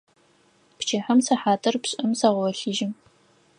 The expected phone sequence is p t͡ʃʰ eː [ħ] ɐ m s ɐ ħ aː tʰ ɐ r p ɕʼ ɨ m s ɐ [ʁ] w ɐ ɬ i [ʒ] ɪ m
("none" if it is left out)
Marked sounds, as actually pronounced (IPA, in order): ħ, ʁ, ʒ

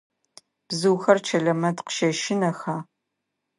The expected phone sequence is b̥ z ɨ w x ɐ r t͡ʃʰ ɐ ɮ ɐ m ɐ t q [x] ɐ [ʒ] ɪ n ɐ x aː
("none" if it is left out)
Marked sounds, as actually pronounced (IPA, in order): ʃ, ʃ

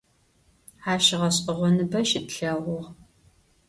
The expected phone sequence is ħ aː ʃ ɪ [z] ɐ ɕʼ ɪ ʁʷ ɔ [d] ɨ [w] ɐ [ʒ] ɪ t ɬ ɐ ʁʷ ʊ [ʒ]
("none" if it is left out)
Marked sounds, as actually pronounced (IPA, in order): ʁ, n, b, ʃ, ʁ

